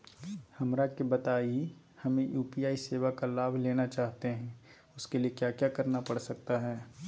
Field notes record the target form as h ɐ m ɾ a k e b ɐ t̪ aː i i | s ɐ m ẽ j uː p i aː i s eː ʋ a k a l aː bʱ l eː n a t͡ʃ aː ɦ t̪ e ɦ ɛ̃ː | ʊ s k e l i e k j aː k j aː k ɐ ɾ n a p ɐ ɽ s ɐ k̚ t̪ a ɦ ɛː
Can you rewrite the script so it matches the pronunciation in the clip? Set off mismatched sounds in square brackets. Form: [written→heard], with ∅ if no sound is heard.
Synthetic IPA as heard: h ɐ m ɾ a k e b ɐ t̪ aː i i | [s→h] ɐ m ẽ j uː p i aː i s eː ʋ a k a l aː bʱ l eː n a t͡ʃ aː ɦ t̪ e ɦ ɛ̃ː | ʊ s k e l i e k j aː k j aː k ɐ ɾ n a p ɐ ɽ s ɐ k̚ t̪ a ɦ ɛː